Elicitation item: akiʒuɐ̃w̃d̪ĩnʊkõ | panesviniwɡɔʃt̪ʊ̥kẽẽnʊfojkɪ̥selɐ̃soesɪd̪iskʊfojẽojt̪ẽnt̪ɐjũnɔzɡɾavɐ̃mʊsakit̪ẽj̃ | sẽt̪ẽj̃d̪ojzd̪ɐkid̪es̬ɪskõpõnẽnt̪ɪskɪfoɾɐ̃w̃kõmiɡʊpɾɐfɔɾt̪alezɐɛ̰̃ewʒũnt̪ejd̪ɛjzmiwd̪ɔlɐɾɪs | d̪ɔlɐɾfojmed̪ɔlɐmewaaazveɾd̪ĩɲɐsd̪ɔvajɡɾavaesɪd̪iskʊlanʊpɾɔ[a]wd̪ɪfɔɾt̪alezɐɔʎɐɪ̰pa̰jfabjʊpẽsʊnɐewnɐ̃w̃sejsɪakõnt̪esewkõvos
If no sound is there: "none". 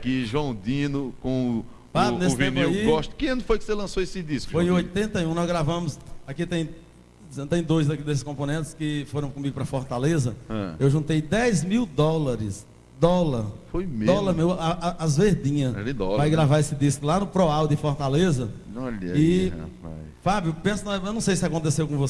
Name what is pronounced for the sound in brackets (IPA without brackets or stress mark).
a